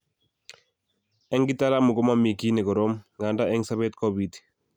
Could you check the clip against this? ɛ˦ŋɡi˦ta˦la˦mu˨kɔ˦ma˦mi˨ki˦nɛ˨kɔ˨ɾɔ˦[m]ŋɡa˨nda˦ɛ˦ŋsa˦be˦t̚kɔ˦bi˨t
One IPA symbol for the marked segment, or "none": m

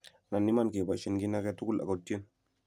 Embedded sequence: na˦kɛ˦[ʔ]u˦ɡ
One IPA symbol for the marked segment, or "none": t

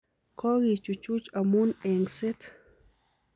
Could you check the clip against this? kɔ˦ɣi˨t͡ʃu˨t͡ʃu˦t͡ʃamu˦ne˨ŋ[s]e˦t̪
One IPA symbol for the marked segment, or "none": s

